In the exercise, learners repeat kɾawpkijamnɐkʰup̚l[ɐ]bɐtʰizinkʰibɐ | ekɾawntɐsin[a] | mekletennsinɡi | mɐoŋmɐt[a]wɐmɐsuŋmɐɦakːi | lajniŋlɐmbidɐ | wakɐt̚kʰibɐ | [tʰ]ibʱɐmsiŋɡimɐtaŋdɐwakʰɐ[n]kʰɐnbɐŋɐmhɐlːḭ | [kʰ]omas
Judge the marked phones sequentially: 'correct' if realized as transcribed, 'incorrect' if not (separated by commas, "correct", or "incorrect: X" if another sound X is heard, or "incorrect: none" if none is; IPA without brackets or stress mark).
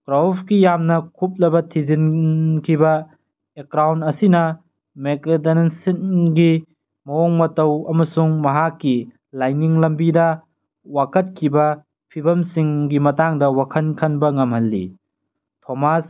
correct, incorrect: ɐ, incorrect: ɐ, incorrect: pʰ, correct, incorrect: tʰ